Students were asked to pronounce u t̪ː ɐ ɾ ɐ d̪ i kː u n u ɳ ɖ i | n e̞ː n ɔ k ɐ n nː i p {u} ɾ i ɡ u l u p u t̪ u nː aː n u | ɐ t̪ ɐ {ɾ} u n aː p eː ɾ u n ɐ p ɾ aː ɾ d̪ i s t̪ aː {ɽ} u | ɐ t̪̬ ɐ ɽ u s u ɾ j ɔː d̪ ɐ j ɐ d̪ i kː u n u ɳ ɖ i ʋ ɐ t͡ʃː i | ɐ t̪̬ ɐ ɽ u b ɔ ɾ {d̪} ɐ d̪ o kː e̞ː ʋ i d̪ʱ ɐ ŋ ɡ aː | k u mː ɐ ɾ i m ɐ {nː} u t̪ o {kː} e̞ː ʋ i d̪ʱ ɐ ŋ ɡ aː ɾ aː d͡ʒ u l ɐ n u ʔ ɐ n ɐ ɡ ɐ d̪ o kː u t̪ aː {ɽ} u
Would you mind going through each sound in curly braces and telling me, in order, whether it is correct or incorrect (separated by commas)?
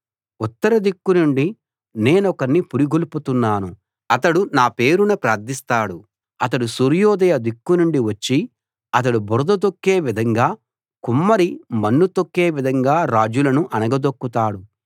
correct, incorrect, correct, correct, correct, correct, correct